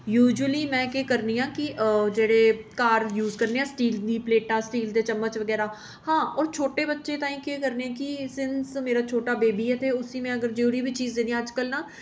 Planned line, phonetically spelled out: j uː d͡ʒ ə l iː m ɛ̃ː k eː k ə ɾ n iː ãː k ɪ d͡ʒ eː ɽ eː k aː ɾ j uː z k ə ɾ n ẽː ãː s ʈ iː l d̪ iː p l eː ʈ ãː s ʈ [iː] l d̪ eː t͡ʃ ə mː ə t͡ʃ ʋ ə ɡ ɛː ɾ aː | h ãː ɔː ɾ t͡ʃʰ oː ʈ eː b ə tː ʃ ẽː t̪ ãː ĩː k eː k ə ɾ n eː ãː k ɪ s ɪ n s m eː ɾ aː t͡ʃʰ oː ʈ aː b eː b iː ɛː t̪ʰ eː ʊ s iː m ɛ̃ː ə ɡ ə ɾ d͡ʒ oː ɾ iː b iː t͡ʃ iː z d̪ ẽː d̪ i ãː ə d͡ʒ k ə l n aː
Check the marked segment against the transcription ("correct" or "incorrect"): correct